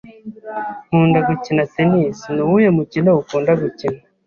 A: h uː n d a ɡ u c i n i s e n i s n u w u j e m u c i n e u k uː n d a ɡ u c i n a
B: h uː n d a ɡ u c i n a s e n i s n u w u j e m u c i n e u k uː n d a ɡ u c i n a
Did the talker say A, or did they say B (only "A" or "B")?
B